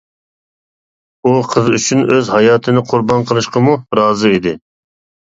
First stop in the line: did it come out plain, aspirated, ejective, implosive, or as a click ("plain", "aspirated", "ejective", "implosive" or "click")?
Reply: aspirated